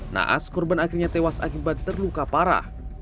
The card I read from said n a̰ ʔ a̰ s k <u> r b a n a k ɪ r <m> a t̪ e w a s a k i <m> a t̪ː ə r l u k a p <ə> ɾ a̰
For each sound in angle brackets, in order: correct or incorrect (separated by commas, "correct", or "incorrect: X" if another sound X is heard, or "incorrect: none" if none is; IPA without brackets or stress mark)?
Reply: incorrect: ɔ, incorrect: ɲ, incorrect: b, incorrect: a